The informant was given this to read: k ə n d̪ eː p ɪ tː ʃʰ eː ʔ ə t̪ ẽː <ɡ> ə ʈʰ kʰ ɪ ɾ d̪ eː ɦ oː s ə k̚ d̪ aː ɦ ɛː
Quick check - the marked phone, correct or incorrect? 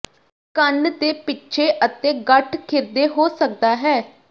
correct